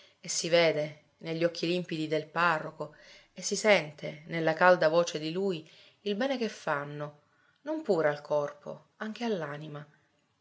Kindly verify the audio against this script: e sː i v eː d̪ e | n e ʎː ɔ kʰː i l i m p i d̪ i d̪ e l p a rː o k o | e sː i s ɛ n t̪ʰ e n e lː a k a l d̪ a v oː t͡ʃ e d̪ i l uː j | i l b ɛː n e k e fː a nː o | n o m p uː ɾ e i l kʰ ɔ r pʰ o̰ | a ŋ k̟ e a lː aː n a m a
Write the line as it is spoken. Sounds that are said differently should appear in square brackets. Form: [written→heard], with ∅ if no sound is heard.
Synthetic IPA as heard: e sː i v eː d̪ e | n e ʎː ɔ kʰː i l i m p i d̪ i d̪ e l p a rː o k o | e sː i s ɛ n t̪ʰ e n e lː a k a l d̪ a v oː t͡ʃ e d̪ i l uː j | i l b ɛː n e k e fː a nː o | n o m p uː ɾ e [i→a] l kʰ ɔ r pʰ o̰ | a ŋ k̟ e a lː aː n [a→i] m a